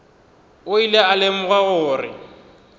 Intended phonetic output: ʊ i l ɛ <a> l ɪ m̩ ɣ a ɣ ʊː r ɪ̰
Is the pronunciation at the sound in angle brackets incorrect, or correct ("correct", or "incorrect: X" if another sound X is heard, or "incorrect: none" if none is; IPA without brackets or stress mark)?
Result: correct